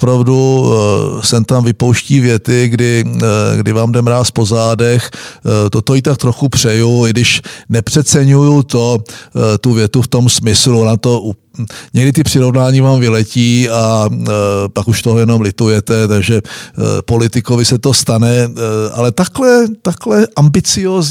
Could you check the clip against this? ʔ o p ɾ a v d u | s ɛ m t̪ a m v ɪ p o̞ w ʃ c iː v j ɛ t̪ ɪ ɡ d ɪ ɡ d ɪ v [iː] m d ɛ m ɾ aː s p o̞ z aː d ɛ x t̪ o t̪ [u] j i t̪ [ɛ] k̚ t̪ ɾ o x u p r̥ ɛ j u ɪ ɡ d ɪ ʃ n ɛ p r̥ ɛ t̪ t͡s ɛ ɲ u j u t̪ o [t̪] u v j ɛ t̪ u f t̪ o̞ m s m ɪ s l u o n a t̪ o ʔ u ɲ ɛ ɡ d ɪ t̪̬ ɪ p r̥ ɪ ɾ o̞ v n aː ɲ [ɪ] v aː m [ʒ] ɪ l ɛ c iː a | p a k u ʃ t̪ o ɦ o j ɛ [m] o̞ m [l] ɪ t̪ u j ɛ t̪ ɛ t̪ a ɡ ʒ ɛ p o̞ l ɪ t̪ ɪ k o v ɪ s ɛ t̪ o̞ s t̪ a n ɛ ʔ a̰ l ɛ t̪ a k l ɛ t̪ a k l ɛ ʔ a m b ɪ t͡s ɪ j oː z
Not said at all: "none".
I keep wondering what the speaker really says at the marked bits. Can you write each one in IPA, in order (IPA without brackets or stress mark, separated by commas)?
aː, o, a, t̪, i, v, n, l